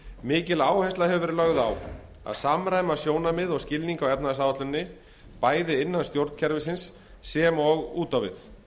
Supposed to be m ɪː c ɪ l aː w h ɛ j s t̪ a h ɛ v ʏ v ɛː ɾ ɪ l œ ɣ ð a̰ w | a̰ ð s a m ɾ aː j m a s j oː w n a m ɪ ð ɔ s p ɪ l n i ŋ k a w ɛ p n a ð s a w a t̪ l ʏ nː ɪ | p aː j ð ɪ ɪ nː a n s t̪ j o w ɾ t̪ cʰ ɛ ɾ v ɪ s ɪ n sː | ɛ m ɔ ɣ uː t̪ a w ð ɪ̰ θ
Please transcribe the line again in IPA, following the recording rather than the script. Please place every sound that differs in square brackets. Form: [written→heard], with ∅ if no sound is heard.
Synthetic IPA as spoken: m ɪː c ɪ l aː w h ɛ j s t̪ a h ɛ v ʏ v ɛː ɾ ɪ l œ ɣ ð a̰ w | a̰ ð s a m ɾ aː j m a s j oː w n a m ɪ ð ɔ s [p→c] ɪ l n i ŋ k a w ɛ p n a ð s a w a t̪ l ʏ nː ɪ | p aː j ð ɪ ɪ nː a n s t̪ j o w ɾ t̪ cʰ ɛ ɾ v ɪ s ɪ n sː | ɛ m ɔ ɣ uː t̪ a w [ð→v] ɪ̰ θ